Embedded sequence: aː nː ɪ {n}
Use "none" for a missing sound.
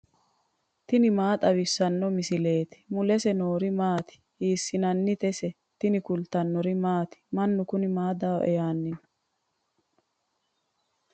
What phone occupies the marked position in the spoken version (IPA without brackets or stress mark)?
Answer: n